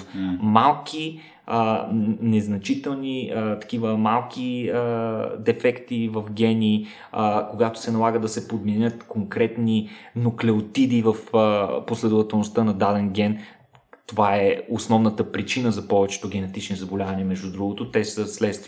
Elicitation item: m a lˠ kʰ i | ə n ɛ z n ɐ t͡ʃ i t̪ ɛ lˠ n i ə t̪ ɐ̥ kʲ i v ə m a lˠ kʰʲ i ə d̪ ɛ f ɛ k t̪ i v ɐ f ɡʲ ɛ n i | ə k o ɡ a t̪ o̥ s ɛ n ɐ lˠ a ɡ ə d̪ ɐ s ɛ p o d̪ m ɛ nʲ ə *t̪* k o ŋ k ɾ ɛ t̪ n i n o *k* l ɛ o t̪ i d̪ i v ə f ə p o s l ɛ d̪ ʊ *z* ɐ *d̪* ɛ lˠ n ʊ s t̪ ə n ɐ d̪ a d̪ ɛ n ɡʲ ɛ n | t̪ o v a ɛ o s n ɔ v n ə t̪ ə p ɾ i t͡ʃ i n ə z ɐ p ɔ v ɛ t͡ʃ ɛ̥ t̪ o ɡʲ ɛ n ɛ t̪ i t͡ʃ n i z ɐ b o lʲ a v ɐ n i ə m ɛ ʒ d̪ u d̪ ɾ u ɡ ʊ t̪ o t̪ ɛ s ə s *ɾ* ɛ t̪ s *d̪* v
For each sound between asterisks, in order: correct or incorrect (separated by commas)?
correct, correct, incorrect, incorrect, incorrect, incorrect